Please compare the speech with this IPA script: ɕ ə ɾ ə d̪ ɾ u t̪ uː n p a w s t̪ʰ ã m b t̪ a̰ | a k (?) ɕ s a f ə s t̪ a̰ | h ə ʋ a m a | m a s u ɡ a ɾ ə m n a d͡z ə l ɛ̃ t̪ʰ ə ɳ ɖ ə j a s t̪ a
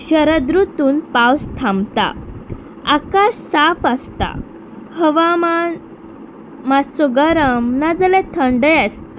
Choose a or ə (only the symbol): a